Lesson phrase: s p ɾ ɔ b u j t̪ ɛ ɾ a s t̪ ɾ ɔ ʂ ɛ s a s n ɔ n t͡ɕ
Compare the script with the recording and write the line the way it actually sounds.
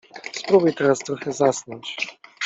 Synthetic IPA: s p ɾ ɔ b u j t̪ ɛ ɾ a s t̪ ɾ ɔ x ɛ z a s n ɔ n t͡ɕ